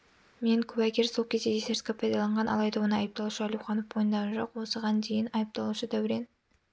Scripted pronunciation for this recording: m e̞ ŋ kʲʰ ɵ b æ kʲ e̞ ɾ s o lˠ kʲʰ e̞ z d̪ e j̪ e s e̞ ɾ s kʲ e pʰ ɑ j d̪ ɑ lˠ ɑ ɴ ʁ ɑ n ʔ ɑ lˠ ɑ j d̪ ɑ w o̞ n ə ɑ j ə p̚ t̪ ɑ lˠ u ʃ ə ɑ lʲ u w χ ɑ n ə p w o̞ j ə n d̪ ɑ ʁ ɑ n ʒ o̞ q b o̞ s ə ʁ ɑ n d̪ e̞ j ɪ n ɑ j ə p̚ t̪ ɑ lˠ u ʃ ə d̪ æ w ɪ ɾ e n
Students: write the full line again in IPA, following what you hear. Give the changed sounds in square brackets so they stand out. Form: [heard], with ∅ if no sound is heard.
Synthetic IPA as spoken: m e̞ ŋ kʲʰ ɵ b æ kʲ e̞ ɾ s o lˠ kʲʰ e̞ z d̪ e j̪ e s e̞ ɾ s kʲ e pʰ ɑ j d̪ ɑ lˠ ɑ ɴ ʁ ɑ n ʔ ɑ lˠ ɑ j d̪ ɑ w o̞ n ə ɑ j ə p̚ t̪ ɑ lˠ u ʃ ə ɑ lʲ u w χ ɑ n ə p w o̞ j ə n d̪ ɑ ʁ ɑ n ʒ o̞ q [w] o̞ s ə ʁ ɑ n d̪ e̞ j ɪ n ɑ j ə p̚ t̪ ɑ lˠ u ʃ ə d̪ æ w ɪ ɾ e n